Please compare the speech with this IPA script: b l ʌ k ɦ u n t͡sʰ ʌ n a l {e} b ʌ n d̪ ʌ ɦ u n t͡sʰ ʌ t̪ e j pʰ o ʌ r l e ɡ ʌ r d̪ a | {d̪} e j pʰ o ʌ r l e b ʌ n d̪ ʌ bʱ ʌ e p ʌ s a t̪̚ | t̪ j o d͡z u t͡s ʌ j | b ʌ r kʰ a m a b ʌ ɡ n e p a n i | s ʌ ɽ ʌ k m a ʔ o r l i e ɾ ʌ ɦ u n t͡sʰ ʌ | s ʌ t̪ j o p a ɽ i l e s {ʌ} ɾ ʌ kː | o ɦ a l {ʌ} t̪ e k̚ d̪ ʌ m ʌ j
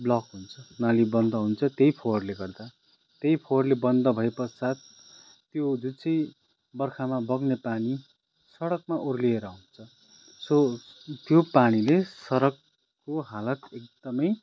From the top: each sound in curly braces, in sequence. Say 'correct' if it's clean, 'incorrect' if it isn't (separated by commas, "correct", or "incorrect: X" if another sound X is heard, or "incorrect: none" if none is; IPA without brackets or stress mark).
incorrect: i, incorrect: t̪, correct, correct